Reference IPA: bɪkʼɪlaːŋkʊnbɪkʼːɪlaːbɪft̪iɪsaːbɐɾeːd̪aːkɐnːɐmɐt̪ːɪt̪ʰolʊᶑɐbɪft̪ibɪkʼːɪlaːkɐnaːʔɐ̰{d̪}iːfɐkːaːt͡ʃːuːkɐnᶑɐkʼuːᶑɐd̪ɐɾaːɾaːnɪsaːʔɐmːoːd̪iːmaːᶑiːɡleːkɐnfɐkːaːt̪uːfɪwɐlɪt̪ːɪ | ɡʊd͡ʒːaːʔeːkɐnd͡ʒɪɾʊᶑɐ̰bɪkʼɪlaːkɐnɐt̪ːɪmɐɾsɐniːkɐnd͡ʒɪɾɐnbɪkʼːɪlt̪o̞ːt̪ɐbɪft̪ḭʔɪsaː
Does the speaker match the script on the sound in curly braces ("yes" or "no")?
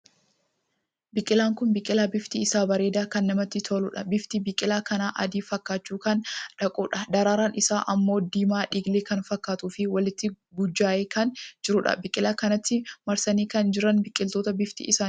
yes